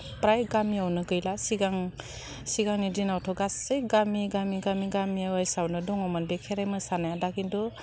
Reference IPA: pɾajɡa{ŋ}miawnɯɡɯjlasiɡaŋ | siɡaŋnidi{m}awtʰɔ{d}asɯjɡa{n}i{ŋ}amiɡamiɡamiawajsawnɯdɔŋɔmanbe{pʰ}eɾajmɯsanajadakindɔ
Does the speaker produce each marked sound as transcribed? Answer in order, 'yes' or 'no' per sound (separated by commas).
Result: no, no, no, no, no, no